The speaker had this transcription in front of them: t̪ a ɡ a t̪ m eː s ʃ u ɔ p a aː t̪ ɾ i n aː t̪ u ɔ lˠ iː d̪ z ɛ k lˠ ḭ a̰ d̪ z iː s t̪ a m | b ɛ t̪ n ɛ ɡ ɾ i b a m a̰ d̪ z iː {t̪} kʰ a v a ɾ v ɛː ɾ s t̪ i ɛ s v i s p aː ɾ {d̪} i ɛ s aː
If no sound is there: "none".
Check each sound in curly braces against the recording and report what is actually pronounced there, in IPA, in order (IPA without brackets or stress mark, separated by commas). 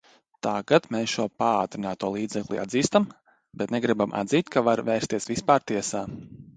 t̪, t̪